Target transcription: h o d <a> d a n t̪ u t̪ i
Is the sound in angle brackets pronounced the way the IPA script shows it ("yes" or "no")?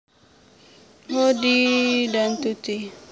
no